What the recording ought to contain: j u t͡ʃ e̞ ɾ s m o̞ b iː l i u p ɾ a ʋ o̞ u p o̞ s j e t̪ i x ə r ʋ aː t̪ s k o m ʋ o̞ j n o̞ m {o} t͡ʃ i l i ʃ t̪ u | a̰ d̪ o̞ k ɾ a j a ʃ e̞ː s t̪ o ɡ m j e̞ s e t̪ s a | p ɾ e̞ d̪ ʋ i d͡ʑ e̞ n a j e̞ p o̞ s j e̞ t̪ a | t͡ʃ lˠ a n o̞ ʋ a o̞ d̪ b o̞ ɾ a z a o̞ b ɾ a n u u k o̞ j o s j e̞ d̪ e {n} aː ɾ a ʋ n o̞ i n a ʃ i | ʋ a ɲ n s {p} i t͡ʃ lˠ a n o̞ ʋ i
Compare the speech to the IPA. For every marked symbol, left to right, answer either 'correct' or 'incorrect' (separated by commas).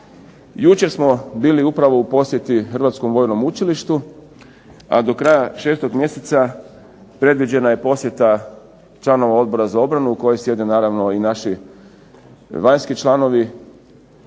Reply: incorrect, correct, incorrect